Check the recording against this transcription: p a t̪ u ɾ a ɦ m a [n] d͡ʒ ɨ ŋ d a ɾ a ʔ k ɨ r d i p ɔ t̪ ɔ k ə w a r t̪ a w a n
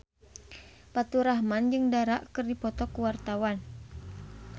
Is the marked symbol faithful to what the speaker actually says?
yes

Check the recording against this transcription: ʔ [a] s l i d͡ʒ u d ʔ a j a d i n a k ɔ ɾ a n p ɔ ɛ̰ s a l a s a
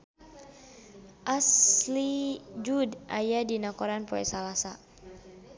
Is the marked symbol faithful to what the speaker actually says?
yes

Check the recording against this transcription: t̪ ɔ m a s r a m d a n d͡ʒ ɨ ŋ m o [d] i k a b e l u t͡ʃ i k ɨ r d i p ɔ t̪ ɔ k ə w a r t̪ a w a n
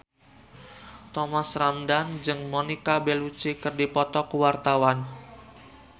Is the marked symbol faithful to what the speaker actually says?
no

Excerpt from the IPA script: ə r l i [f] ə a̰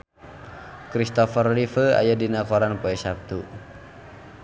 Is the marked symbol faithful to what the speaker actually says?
yes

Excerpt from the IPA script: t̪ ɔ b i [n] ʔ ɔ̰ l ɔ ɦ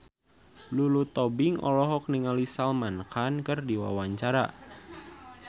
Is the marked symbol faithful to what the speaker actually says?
no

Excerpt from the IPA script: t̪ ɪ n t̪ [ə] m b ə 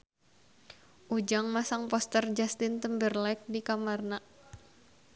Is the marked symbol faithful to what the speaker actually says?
yes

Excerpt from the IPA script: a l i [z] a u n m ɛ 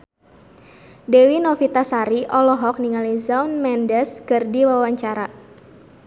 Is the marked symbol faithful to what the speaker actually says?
yes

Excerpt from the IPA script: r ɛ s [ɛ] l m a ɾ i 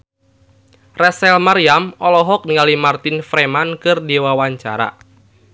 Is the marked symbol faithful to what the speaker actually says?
yes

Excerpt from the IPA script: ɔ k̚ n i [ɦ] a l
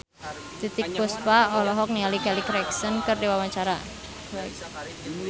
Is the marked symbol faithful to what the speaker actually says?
no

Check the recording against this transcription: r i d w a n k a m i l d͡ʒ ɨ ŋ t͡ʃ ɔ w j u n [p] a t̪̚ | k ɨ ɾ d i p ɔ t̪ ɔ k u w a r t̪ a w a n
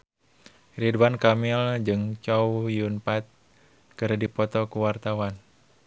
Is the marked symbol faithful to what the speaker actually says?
yes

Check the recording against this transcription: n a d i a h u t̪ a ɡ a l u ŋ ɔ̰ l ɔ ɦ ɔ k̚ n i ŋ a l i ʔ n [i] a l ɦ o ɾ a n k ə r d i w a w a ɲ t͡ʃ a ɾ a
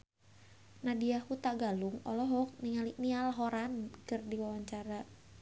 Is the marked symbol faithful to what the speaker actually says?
yes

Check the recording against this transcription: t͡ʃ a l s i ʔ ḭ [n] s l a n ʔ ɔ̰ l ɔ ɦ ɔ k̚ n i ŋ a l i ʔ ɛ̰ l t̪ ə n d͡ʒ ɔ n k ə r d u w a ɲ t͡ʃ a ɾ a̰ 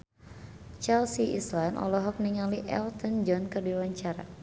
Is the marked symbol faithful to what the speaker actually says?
no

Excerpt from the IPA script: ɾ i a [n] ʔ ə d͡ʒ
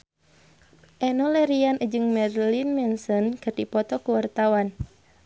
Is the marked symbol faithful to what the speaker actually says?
yes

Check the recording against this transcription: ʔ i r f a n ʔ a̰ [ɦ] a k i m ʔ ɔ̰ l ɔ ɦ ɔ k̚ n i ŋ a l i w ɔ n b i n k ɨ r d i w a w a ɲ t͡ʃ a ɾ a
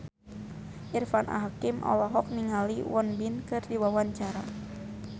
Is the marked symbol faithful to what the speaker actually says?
yes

